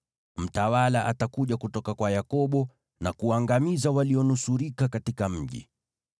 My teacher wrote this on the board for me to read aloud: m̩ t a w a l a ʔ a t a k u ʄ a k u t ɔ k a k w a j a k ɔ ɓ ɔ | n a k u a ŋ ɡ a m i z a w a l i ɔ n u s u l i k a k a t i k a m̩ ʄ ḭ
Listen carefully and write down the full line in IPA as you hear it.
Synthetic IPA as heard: m̩ t a w a l a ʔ a t a k u ʄ a k u t ɔ k a k w a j a k ɔ ɓ ɔ | n a k u a ŋ ɡ a m i z a w a l i ɔ n u s u ɾ i k a k a t i k a m̩ ʄ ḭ